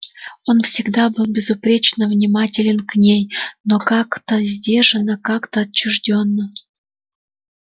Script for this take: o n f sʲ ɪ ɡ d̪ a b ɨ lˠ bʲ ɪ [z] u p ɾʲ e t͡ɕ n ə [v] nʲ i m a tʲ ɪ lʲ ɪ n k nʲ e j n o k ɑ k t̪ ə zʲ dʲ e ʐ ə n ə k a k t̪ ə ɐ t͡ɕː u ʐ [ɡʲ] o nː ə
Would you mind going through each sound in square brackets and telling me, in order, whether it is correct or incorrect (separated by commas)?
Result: correct, correct, incorrect